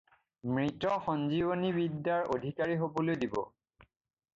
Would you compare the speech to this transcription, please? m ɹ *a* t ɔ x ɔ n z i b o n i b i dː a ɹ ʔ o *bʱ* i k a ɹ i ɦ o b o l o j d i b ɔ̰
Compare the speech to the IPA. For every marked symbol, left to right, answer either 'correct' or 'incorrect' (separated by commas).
incorrect, incorrect